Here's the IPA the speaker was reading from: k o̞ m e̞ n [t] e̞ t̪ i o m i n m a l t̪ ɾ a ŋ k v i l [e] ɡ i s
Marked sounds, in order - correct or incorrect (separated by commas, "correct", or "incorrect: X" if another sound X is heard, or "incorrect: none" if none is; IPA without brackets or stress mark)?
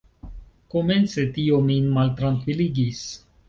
incorrect: t͡s, incorrect: i